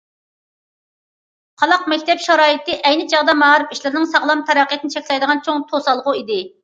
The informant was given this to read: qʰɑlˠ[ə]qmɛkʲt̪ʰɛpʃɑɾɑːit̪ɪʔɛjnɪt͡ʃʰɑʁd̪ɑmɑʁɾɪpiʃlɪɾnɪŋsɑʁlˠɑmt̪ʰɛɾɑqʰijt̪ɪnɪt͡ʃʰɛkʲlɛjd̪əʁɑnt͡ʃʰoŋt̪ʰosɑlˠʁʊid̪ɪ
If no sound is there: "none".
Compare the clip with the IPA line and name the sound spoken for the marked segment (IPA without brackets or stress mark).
ɑ